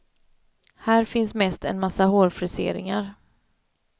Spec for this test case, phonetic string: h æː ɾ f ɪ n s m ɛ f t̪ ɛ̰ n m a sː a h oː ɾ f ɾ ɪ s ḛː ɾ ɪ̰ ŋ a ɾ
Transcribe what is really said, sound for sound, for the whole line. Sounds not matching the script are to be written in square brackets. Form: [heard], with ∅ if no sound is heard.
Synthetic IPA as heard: h æː ɾ f ɪ n s m ɛ [s] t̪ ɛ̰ n m a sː a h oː ɾ f ɾ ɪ s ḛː ɾ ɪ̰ ŋ a ɾ